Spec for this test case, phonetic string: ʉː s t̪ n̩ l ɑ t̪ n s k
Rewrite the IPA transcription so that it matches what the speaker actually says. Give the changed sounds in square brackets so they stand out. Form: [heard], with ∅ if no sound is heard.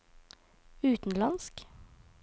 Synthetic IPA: ʉː [∅] t̪ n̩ l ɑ [∅] n s k